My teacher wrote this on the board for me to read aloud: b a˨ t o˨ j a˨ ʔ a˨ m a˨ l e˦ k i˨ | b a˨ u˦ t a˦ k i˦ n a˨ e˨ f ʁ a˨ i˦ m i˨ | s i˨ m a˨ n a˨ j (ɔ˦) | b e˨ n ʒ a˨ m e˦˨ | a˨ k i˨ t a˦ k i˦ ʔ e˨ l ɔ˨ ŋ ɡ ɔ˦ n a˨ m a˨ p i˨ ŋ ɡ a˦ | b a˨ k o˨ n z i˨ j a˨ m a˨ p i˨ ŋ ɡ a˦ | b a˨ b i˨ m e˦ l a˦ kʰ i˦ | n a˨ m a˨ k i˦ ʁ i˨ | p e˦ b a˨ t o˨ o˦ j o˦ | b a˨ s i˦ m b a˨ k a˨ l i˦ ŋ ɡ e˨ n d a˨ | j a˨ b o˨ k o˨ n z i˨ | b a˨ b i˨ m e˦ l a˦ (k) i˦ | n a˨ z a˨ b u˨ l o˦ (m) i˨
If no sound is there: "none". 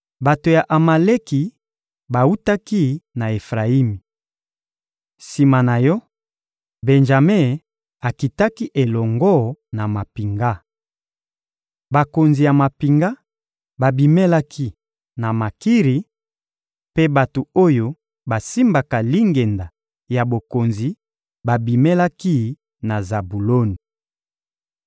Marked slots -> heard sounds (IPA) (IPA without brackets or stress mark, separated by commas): ɔ˦, k, n